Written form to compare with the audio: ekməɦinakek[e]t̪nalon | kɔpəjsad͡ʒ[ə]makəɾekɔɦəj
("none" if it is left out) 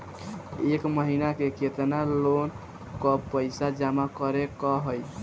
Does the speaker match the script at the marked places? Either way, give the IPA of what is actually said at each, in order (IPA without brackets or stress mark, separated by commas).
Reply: e, a